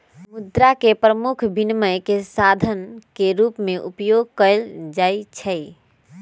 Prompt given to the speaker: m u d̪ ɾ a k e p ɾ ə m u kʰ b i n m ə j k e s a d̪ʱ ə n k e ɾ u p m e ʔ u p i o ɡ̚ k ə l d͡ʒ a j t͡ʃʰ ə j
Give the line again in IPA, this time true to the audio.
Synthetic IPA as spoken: m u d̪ ɾ a k e p ɾ ə m u kʰ b i n m ə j k e s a d̪ʱ ə n k e ɾ u p m e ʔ u p j o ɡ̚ k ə l d͡ʒ a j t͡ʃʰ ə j